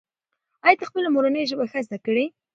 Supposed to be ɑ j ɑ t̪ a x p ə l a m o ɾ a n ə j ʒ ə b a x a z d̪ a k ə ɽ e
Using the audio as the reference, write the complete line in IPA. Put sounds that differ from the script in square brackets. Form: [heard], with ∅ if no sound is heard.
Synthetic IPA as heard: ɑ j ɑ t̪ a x p ə l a m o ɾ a n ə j ʒ ə b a x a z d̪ a k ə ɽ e